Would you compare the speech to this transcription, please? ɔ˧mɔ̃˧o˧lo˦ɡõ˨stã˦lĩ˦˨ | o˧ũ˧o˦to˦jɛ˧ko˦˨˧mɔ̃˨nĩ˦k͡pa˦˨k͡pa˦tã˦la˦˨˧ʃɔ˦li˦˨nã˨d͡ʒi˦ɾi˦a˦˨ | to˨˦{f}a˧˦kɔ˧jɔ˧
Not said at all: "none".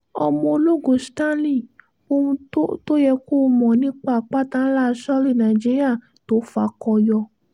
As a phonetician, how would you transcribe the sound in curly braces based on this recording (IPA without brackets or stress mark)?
f